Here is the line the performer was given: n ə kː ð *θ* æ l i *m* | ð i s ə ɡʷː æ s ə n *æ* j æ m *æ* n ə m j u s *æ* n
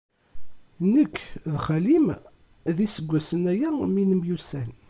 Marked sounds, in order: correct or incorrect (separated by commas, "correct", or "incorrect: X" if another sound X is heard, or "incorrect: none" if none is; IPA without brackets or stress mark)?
incorrect: χ, correct, correct, incorrect: i, correct